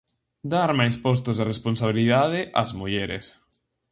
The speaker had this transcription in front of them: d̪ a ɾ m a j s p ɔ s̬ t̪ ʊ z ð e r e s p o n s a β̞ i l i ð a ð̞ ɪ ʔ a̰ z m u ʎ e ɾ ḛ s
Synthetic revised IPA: d̪ a ɾ m a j s p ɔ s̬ t̪ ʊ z ð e r e s p o n s a β̞ i l i ð a ð̞ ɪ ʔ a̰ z m u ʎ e ɾ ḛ s

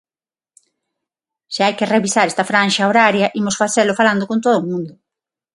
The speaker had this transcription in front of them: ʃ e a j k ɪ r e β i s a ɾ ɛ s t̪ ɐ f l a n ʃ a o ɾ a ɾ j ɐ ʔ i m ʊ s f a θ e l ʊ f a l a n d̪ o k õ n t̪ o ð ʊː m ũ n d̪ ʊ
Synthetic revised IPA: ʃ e a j k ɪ r e β i s a ɾ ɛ s t̪ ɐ f ɾ a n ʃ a o ɾ a ɾ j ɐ ʔ i m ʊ s f a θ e l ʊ f a l a n d̪ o k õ n t̪ o ð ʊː m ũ n d̪ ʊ

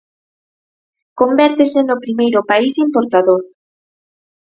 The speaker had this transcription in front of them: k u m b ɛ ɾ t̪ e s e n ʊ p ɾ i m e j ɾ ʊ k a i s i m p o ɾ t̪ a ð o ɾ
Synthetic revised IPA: k o m b ɛ ɾ t̪ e s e n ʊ p ɾ i m e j ɾ ʊ p a i s i m p o ɾ t̪ a ð o ɾ

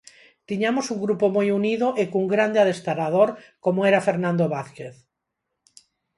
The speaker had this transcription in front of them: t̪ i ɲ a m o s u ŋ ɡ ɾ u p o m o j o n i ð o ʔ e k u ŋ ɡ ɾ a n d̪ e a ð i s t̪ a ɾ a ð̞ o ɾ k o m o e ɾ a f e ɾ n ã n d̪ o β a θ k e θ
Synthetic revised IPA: t̪ i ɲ a m o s u ŋ ɡ ɾ u p o m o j u n i ð o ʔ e k u ŋ ɡ ɾ a n d̪ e a ð e s t̪ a ɾ a ð̞ o ɾ k o m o e ɾ a f e ɾ n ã n d̪ o β a θ k e θ

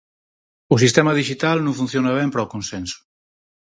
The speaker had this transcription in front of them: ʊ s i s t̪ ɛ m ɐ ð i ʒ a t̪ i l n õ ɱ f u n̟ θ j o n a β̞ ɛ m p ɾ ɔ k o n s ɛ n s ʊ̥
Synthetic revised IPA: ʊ s i s t̪ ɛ m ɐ ð i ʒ i t̪ a l n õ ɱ f u n̟ θ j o n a β̞ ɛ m p ɾ ɔ k o n s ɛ n s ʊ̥

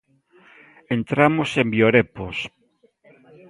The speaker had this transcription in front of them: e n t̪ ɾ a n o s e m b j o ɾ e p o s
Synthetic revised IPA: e n t̪ ɾ a m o s e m b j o ɾ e p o s

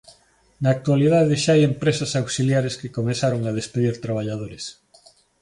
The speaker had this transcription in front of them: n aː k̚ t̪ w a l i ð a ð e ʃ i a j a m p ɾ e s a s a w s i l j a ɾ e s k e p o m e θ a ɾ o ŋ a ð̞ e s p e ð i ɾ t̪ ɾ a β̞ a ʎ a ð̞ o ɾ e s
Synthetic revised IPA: n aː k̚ t̪ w a l i ð a ð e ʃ a a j e m p ɾ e s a s a w s i l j a ɾ e s k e k o m e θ a ɾ o ŋ a ð̞ e s p e ð i ɾ t̪ ɾ a β̞ a ʎ a ð̞ o ɾ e s

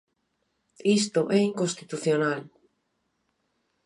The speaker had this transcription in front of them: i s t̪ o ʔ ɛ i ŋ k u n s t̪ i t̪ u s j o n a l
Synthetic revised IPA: i s t̪ o ʔ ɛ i ŋ k o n s t̪ i t̪ u θ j o n a l

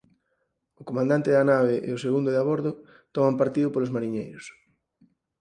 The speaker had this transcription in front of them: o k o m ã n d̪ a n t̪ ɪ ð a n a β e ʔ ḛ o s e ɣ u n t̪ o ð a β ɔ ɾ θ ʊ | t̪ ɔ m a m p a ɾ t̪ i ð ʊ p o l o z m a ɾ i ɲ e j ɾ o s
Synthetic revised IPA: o k o m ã n d̪ a n t̪ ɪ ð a n a β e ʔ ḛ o s e ɣ u n d̪ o ð a β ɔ ɾ ð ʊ | t̪ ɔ m a m p a ɾ t̪ i ð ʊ p o l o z m a ɾ i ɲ e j ɾ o s

